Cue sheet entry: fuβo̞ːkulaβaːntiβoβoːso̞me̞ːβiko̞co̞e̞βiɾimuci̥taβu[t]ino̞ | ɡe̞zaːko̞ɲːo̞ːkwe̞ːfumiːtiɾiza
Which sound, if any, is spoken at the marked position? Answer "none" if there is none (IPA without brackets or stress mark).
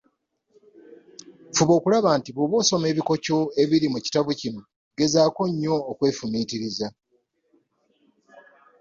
c